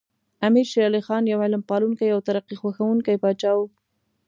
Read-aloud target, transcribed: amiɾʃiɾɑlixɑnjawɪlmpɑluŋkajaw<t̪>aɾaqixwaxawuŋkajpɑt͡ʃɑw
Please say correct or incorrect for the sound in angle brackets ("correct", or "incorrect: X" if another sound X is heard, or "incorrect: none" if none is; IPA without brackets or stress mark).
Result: correct